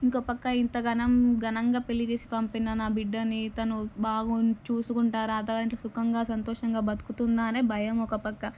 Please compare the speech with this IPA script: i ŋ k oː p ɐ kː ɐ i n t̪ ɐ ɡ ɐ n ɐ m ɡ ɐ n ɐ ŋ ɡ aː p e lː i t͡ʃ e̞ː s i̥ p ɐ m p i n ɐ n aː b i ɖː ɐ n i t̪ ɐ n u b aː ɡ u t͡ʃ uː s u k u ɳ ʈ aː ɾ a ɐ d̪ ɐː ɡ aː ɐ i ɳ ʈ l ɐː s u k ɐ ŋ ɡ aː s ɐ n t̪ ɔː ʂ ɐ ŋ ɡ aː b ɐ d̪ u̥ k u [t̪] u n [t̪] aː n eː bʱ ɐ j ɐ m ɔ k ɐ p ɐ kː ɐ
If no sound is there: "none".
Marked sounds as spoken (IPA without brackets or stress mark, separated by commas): t̪, d̪